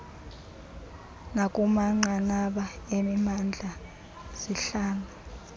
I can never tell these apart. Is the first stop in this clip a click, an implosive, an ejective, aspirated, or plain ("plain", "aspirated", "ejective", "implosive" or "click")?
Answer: ejective